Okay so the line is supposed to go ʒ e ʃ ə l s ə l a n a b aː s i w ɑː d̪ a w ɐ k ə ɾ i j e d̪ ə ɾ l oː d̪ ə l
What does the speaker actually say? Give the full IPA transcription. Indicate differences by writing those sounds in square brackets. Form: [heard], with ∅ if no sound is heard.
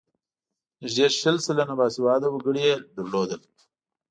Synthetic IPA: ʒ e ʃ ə l s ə l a n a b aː s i w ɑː d̪ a w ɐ [ɡ] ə [ɽ] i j e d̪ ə ɾ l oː d̪ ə l